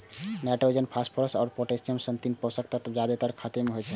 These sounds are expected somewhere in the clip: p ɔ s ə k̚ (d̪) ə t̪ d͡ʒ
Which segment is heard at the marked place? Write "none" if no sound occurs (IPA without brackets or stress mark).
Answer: t̪